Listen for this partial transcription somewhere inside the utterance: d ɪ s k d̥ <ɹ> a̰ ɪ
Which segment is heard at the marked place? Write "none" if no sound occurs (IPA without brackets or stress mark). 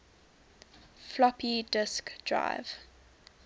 ɹ